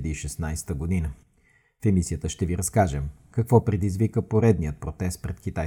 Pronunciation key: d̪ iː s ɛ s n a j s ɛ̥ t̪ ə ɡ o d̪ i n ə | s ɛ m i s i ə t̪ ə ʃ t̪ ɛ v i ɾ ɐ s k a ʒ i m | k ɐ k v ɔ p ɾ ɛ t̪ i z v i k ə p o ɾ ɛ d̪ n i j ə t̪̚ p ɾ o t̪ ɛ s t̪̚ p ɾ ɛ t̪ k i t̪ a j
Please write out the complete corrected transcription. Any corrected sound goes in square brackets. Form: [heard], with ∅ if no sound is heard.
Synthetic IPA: d̪ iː [ʃ] ɛ s n a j s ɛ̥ t̪ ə ɡ o d̪ i n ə | [f] ɛ m i s i ə t̪ ə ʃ t̪ ɛ v i ɾ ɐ s k a ʒ [ɛ] m | k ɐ k v ɔ p ɾ ɛ [d̪] i z v i k ə p o ɾ ɛ d̪ n i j ə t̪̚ p ɾ o t̪ ɛ s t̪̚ p ɾ ɛ t̪ k i t̪ a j